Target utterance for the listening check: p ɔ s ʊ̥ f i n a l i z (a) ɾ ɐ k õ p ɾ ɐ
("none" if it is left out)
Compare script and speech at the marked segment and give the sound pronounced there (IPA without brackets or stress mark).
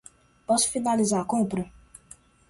a